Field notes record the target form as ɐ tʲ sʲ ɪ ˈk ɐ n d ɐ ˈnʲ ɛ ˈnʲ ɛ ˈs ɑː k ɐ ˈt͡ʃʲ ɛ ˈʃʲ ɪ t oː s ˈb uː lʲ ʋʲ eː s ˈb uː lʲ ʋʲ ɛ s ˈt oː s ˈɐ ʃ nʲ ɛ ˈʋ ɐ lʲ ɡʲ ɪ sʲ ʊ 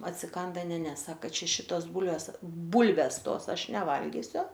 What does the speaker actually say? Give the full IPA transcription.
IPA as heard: ɐ tʲ sʲ ɪ ˈk ɐ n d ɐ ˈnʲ ɛ ˈnʲ ɛ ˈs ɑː k ɐ ˈt͡ʃʲ ɛ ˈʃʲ ɪ t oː s ˈb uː lʲ ʋʲ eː s ˈb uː lʲ ʋʲ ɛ s ˈt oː s ˈɐ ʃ nʲ ɛ ˈʋ ɐ lʲ ɡʲ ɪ sʲ ʊ